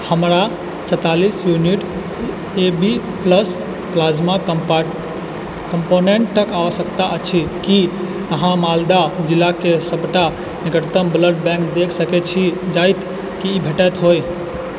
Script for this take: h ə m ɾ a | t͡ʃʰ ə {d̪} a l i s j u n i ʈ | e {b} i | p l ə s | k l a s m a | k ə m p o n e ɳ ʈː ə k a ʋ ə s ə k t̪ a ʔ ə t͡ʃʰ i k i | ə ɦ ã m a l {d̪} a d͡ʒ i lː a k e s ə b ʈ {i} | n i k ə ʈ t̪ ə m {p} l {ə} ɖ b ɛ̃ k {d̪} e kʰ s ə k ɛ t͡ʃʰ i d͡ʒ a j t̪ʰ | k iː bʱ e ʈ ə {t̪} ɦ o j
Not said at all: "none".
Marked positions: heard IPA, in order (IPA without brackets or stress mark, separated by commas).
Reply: t̪, b, d̪, a, b, ə, d̪, t̪